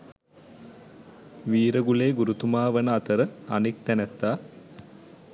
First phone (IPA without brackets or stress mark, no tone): ʋ